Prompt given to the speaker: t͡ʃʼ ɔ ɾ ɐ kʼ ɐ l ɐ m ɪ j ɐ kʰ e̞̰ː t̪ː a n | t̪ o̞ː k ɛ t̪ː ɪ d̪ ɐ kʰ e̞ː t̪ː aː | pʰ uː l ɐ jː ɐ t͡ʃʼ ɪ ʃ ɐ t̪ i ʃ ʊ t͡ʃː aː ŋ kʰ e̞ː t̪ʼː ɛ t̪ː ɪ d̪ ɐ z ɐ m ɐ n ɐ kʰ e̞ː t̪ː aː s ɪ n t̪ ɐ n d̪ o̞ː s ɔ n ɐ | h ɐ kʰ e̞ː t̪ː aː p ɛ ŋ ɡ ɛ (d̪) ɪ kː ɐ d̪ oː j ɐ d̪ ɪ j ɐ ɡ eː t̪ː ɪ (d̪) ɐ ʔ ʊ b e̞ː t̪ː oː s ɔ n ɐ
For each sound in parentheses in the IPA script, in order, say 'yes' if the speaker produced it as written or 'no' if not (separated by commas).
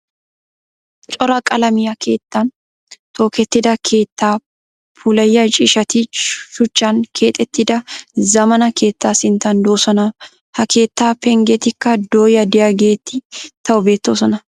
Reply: no, no